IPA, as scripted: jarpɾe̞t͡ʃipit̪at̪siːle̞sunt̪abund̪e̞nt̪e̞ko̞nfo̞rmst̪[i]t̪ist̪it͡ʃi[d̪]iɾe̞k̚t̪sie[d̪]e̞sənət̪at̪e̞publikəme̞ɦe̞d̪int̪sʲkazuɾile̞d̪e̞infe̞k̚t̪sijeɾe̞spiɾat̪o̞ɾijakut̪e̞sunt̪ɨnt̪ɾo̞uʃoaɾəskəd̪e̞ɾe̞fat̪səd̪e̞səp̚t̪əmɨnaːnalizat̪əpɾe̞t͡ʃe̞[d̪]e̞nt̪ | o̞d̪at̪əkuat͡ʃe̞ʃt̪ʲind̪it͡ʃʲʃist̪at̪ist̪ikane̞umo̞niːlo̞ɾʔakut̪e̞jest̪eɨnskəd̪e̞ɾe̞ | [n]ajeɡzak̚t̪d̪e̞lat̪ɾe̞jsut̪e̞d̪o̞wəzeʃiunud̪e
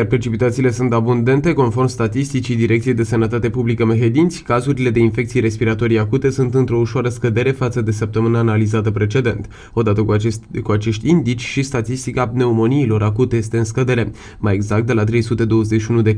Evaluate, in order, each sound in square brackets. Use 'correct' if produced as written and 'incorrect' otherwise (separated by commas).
incorrect, correct, correct, correct, incorrect